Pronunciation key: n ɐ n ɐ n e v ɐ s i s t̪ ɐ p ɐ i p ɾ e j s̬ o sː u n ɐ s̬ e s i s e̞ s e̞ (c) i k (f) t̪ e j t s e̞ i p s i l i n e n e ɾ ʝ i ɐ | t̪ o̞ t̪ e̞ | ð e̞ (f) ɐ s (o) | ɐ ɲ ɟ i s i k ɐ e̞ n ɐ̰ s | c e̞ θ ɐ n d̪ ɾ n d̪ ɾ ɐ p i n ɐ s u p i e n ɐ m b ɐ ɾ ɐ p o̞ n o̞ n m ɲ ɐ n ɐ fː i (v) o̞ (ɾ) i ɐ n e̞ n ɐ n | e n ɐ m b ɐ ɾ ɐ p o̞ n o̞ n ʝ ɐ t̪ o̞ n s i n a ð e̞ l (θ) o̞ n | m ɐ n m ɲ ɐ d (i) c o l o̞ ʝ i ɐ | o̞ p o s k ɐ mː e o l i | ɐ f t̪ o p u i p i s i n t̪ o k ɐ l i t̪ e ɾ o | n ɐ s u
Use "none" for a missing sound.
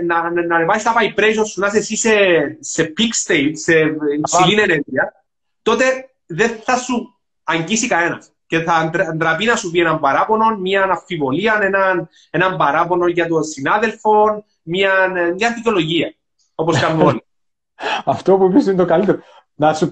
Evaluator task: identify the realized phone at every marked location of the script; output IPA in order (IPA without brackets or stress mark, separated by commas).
p, s, θ, u, v, l, f, i